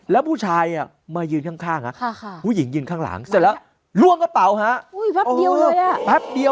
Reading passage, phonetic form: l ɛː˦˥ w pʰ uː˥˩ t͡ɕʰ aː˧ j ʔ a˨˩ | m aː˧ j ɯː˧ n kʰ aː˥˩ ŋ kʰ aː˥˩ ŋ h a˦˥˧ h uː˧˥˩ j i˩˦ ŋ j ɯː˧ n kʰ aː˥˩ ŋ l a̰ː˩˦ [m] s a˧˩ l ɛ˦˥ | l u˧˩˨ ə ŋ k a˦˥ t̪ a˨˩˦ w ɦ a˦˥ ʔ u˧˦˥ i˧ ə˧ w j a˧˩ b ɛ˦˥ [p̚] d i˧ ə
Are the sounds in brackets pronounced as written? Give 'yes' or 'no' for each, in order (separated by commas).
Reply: no, yes